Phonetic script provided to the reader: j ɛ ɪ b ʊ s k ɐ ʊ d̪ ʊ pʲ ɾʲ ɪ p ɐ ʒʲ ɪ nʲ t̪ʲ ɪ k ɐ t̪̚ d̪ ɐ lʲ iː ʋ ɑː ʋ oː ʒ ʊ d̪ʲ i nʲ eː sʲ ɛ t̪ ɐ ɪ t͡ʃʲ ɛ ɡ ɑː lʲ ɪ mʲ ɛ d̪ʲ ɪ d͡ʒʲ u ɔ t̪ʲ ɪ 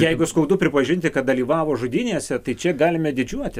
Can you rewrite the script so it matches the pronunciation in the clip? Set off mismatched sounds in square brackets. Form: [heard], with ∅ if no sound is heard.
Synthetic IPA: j ɛ ɪ [ɡ] ʊ s k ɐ ʊ d̪ ʊ pʲ ɾʲ ɪ p ɐ ʒʲ ɪ nʲ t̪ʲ ɪ k ɐ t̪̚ d̪ ɐ lʲ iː ʋ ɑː ʋ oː ʒ ʊ d̪ʲ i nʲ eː sʲ ɛ t̪ ɐ ɪ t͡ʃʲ ɛ ɡ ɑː lʲ ɪ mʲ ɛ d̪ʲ ɪ d͡ʒʲ u ɔ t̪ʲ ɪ